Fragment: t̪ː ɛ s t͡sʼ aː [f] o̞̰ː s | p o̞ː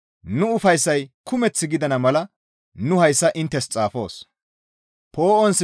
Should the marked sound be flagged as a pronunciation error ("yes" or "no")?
no